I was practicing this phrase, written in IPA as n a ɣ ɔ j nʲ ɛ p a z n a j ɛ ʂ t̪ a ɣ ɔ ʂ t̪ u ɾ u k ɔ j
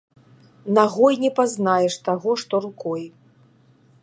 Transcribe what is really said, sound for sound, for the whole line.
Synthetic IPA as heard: n a ɣ ɔ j nʲ ɛ p a z n a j ɛ ʂ t̪ a ɣ ɔ ʂ t̪ ɔ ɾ u k ɔ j